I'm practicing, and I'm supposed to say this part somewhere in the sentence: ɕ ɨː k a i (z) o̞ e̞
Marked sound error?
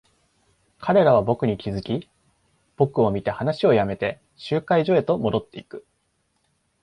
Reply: yes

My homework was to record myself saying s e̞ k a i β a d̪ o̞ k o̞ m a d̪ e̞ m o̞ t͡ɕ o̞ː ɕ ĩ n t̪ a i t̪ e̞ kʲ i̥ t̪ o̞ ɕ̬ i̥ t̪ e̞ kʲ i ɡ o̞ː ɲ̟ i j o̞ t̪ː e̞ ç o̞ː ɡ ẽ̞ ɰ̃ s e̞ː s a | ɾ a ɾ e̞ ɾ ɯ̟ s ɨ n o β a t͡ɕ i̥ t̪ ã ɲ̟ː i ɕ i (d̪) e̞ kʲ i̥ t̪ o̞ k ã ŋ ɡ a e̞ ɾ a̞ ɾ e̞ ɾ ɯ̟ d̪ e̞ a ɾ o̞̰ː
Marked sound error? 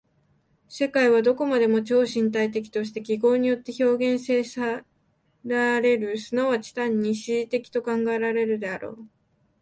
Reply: yes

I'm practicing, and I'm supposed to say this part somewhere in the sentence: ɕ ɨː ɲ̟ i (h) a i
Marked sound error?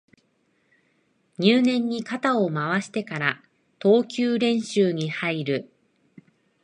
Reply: no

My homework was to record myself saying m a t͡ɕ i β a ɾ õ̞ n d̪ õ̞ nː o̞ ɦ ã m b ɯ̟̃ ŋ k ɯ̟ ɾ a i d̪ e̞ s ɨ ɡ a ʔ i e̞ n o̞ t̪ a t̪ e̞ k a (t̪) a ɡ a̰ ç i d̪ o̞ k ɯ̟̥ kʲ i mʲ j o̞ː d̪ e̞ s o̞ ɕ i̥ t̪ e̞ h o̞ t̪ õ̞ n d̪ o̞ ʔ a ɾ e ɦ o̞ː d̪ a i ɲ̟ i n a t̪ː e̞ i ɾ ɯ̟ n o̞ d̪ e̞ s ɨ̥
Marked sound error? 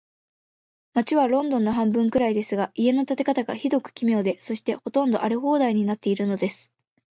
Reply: no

